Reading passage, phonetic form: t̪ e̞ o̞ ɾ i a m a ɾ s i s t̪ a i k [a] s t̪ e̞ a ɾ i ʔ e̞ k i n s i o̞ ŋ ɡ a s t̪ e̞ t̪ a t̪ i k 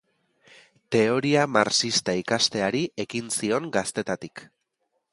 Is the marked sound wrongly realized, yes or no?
no